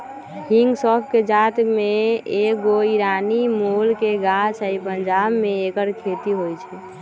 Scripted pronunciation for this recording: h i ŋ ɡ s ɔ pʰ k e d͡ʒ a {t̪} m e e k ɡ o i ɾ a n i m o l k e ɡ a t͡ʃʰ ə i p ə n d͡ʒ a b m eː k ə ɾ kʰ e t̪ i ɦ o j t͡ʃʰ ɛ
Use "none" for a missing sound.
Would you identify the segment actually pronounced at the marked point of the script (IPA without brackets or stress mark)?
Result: t̪